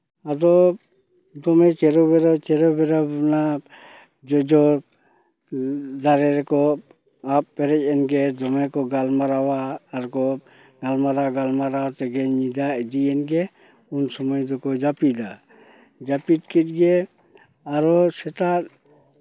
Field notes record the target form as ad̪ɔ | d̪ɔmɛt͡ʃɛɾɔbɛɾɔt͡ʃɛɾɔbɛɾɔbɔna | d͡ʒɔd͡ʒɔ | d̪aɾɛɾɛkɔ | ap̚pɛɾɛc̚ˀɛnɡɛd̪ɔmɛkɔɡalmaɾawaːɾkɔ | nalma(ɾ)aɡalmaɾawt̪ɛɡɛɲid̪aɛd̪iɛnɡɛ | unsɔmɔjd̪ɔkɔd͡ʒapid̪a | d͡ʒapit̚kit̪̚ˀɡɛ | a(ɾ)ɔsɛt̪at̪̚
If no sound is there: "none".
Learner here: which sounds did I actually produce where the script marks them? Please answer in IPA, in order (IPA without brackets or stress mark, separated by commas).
ɾ, ɾ